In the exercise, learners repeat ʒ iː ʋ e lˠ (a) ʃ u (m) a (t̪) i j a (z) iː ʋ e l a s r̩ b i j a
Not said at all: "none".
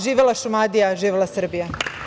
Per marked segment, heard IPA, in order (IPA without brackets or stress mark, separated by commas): a, m, d̪, ʒ